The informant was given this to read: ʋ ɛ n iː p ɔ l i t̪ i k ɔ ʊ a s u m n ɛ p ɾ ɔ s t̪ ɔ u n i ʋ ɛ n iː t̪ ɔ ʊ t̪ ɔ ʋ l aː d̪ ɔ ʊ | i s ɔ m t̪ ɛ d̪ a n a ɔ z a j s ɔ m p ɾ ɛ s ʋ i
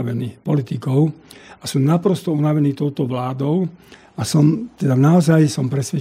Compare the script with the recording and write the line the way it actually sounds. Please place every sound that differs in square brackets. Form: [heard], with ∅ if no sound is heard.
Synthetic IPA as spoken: ʋ ɛ n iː p ɔ l i t̪ i k ɔ ʊ a s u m n [a] p ɾ ɔ s t̪ ɔ u n [a] ʋ ɛ n iː t̪ ɔ ʊ t̪ ɔ ʋ l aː d̪ ɔ ʊ | [a] s ɔ m t̪ ɛ d̪ a n a ɔ z a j s ɔ m p ɾ ɛ s ʋ [ɛ]